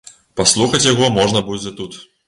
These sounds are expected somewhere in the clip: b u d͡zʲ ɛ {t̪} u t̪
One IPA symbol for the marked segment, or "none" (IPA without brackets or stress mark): t̪